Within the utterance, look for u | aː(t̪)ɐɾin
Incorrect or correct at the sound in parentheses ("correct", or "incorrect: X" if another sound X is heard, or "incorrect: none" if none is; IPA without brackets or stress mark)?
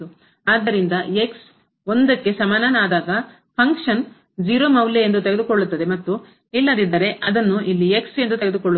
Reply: incorrect: d̪